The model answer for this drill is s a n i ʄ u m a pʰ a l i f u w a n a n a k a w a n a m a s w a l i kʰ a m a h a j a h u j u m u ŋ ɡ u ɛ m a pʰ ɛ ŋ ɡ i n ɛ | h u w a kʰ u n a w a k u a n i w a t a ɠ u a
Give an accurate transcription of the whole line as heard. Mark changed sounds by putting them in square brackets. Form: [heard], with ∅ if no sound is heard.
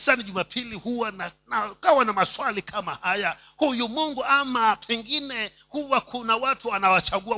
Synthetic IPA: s a n i ʄ u m a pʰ [i] l i [h] u w a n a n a k a w a n a m a s w a l i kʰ a m a h a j a h u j u m u ŋ ɡ u [a] m a pʰ ɛ ŋ ɡ i n ɛ | h u w a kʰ u n a w a [t] u a n [a] w a [t͡ʃ] a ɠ u a